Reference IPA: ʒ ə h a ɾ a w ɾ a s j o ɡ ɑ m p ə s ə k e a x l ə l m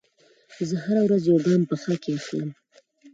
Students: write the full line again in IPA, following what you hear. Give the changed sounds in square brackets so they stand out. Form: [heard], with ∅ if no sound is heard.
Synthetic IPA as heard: [z] ə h a ɾ a w ɾ a [z] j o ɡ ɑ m p ə [x] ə k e a x l ə [∅] m